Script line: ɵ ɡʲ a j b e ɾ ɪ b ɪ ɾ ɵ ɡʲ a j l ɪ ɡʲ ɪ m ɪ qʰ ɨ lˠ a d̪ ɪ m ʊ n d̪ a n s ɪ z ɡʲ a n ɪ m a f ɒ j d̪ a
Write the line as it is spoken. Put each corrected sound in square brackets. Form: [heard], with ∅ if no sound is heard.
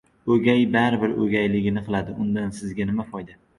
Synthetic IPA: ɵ ɡʲ a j b [a] ɾ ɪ b ɪ ɾ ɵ ɡʲ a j l ɪ ɡʲ ɪ [n] ɪ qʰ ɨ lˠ a d̪ ɪ [∅] ʊ n d̪ a n s ɪ z ɡʲ a n ɪ m a f ɒ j d̪ a